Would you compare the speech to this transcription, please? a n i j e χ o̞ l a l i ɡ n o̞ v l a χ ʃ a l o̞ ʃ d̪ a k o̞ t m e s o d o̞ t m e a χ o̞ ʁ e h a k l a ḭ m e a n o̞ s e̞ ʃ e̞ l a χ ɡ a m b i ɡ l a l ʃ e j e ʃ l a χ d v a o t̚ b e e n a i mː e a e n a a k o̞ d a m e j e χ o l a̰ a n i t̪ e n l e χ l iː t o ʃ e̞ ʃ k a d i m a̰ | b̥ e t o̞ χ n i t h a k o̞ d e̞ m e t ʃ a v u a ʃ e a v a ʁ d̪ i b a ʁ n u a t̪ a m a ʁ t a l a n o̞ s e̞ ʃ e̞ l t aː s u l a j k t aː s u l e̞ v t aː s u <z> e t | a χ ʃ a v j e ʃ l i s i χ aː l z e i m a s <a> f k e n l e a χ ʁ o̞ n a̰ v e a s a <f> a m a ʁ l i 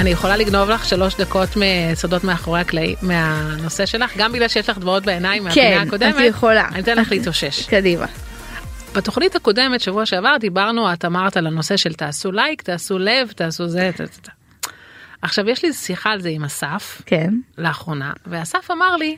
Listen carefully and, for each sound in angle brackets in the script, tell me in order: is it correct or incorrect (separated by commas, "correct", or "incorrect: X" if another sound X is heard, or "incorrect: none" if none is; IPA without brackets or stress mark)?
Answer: correct, correct, correct